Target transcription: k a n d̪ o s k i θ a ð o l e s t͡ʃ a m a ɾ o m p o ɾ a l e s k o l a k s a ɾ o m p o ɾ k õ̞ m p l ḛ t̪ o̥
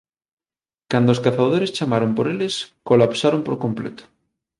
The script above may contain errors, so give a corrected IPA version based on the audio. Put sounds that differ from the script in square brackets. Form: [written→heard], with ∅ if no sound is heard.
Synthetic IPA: k a n d̪ o s k [i→a] θ a ð o [l→ɾ] e s t͡ʃ a m a ɾ o m p o ɾ [a→e] l e s k o l a [k→p] s a ɾ o m p o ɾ k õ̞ m p l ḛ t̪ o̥